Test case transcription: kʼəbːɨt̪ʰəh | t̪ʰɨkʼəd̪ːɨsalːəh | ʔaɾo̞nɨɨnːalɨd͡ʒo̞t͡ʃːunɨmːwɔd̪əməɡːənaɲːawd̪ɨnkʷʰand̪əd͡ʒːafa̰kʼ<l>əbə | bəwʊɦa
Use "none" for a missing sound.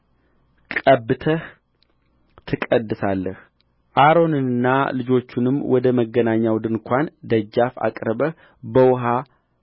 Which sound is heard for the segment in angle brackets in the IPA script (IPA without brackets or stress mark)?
ɾ